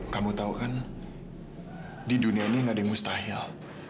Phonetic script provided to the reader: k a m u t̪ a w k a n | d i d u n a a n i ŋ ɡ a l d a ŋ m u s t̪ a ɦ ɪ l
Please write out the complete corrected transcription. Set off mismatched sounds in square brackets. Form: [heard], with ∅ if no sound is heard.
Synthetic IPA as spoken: k a m u t̪ a [u] k a n | d i d u n [i] a n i ŋ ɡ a [∅] d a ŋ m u s t̪ a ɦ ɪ l

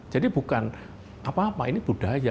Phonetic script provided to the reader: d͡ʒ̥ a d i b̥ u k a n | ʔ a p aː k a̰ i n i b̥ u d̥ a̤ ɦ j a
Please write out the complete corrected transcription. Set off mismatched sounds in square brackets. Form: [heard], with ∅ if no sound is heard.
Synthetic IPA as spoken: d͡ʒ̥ a d i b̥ u k a n | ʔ a p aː [p] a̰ i n i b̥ u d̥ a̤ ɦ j a

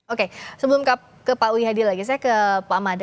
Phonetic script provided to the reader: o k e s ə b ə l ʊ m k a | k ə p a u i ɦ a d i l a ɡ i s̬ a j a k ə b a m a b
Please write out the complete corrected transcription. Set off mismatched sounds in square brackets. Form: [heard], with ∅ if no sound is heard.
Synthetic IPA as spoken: o k e s ə b ə l ʊ m k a | k ə p a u i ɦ a d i l a ɡ i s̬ a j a k ə [p] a m a [d]

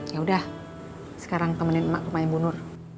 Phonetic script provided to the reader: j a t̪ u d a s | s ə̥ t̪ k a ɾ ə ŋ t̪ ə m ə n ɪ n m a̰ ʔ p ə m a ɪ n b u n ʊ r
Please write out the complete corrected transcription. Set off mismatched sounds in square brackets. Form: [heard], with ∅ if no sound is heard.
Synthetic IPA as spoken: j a [∅] u d a [h] | s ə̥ [∅] k a ɾ [a] ŋ t̪ ə m ə n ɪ n m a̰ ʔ p ə m a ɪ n b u n ʊ r

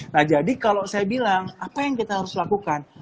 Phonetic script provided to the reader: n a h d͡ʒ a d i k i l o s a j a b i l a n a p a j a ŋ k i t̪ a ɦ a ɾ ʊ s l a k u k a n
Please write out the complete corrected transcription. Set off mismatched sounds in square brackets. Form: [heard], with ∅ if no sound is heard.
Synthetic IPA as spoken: n a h d͡ʒ a d i k [a] l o s a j a b i l a [ŋ] a p a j a ŋ k i t̪ a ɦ a ɾ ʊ s l a k u k a n

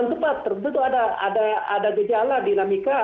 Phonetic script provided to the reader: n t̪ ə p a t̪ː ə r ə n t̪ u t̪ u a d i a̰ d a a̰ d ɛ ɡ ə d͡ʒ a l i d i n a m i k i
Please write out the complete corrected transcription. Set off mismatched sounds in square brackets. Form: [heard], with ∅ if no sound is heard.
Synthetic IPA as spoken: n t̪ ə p a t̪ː ə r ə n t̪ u t̪ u a d [a] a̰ d a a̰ d [a] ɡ ə d͡ʒ a l [a] d i n a m i k [a]

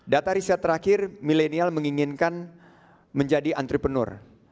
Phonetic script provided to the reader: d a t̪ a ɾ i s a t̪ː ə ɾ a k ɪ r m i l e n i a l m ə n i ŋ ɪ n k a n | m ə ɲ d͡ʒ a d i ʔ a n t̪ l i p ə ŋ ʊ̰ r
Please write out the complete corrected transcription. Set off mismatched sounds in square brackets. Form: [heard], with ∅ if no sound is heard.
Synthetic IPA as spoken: d a t̪ a ɾ i s a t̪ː ə ɾ a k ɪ r m i l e n i a l m ə [ŋ] i ŋ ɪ n k a n | m ə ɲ d͡ʒ a d i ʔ a n t̪ [ɾ] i p ə [n] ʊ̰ r

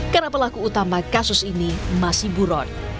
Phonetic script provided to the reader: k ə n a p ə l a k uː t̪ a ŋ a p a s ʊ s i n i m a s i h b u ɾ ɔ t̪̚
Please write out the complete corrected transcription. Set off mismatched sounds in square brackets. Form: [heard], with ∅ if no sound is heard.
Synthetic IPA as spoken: k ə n a p ə l a k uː t̪ a [m] a [k] a s ʊ s i n i m a s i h b u ɾ ɔ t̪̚

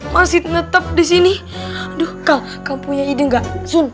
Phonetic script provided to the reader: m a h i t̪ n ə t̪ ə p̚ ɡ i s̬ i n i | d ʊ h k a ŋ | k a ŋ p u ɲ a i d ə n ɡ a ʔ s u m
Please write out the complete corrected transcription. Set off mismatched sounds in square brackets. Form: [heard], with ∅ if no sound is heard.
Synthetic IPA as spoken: m a [s] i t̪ n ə t̪ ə p̚ [d] i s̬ i n i | d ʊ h k a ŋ | k a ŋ p u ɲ a i d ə [ŋ] ɡ a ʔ s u [n]

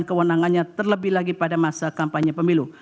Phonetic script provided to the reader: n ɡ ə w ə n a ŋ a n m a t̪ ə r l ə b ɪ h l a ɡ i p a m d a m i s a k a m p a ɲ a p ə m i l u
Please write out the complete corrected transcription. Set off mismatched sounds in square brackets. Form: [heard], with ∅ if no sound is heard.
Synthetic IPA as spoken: n [k] ə w ə n a ŋ a n [ɲ] a t̪ ə r l ə b ɪ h l a ɡ i p a [∅] d a m [a] s a k a m p a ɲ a p ə m i l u

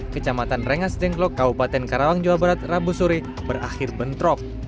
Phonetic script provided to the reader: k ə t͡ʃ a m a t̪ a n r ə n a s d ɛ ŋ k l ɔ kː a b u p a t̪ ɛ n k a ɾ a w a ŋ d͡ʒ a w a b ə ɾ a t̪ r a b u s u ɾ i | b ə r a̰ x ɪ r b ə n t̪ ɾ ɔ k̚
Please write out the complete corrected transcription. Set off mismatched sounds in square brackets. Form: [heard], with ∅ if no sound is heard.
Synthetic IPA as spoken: k ə t͡ʃ a m a t̪ a n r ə [ŋ] a s d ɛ ŋ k l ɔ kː a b u p a t̪ ɛ n k a ɾ a w a ŋ d͡ʒ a w a b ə ɾ a t̪ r a b u s u ɾ i | b ə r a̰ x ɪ r b ə n t̪ ɾ ɔ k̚

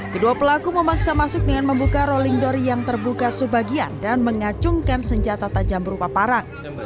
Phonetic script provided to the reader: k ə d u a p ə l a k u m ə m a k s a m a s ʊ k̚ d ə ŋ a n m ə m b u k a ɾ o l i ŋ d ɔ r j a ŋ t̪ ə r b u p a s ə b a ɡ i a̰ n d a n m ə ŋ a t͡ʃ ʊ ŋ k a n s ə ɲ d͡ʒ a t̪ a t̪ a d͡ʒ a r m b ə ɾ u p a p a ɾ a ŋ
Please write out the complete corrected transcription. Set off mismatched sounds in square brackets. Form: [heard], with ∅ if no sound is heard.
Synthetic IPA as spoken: k ə d u a p ə l a k u m ə m a k s a m a s ʊ k̚ d ə ŋ a n m ə m b u k a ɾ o l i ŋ d ɔ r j a ŋ t̪ ə r b u [k] a s ə b a ɡ i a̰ n d a n m ə ŋ a t͡ʃ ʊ ŋ k a n s ə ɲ d͡ʒ a t̪ a t̪ a d͡ʒ a [∅] m b ə ɾ u p a p a ɾ a ŋ

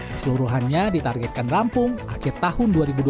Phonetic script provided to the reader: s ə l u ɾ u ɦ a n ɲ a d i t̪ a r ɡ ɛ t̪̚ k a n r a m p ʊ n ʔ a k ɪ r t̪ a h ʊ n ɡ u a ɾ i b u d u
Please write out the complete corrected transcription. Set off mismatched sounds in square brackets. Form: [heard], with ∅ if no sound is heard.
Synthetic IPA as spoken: s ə l u ɾ u ɦ a n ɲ a d i t̪ a r ɡ ɛ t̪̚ k a n r a m p ʊ [ŋ] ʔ a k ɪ r t̪ a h ʊ n [d] u a ɾ i b u d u

